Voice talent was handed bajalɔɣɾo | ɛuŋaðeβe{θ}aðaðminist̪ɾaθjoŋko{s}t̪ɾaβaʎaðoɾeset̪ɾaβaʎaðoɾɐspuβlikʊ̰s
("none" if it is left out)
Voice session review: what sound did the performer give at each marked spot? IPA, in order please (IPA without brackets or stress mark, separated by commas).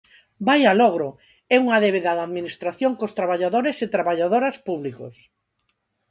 ð, s